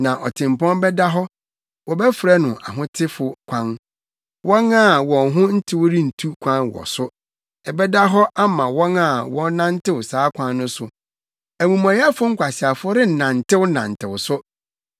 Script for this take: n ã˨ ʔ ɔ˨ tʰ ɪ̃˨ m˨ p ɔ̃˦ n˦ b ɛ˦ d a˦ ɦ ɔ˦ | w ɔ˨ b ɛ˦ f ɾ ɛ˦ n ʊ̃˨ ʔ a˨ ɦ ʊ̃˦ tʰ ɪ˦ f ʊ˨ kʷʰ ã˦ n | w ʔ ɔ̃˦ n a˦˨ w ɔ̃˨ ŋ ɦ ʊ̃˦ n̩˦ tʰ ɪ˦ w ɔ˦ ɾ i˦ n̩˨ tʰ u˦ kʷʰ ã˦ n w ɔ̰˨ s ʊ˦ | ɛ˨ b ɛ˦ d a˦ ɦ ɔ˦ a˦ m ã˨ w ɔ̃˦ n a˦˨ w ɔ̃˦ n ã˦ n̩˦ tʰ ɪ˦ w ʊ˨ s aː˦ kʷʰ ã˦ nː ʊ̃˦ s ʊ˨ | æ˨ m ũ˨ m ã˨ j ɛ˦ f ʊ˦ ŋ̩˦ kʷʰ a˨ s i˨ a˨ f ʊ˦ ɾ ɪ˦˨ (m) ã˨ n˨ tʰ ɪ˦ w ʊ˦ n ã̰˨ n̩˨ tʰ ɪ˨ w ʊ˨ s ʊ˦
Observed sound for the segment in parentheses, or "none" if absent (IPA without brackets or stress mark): n